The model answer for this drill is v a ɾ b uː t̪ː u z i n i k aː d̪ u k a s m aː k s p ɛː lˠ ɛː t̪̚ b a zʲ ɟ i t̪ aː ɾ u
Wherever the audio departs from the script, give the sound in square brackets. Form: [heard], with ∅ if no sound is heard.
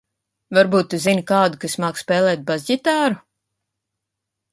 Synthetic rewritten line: v a ɾ b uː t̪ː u z i n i k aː d̪ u k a s m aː k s p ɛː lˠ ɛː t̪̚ b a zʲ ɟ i t̪ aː ɾ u